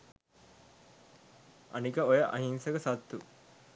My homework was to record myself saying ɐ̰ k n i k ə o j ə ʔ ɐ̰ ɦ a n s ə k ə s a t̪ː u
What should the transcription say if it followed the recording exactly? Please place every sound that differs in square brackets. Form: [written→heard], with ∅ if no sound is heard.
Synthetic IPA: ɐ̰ [k→∅] n i k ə o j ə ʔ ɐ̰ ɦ [a→i] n s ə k ə s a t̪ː u